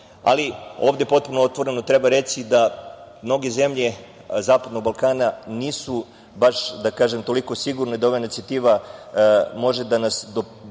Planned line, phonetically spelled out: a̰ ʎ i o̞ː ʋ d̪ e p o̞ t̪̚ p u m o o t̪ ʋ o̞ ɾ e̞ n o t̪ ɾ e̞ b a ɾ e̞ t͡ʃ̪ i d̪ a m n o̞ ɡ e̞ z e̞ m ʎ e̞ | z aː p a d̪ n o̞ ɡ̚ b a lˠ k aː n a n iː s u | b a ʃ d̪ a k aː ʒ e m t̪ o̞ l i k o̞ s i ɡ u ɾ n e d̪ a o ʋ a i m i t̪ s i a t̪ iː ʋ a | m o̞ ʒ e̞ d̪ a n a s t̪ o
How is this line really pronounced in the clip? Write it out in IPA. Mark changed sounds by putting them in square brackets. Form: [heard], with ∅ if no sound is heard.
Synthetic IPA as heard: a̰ [l] i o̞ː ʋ d̪ e p o̞ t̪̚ p u [n] o o t̪ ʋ o̞ ɾ e̞ n o t̪ ɾ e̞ b a ɾ e̞ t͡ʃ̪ i d̪ a m n o̞ ɡ e̞ z e̞ m ʎ e̞ | z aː p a d̪ n o̞ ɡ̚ b a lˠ k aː n a n iː s u | b a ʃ d̪ a k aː ʒ e m t̪ o̞ l i k o̞ s i ɡ u ɾ n e d̪ a o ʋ a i [n] i t̪ s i a t̪ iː ʋ a | m o̞ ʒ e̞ d̪ a n a s [d̪] o